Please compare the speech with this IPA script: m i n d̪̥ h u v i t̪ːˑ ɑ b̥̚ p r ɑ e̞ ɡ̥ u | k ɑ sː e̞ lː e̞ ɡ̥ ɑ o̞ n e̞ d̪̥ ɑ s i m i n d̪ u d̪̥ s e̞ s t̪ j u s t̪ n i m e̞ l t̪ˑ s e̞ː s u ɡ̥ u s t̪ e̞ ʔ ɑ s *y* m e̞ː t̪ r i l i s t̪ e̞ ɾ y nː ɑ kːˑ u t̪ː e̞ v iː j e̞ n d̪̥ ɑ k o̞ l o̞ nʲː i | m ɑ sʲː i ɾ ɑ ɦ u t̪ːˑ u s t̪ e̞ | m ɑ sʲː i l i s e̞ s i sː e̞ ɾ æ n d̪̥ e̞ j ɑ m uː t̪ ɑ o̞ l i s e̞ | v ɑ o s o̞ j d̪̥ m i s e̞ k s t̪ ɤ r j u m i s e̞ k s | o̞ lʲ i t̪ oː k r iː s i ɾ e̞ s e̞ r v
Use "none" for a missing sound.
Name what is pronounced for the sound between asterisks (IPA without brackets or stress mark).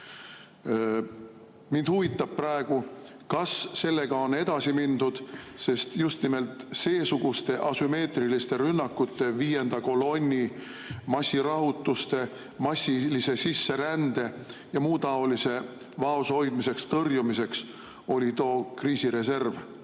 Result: y